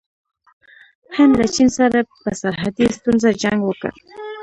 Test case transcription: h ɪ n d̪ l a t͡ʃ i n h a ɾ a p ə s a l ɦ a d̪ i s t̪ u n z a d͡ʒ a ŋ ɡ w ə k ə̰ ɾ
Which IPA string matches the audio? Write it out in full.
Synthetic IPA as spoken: h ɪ n d̪ l a t͡ʃ i n s a ɾ a p ə s a ɾ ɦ a d̪ i s t̪ u n z a d͡ʒ a ŋ ɡ w ə k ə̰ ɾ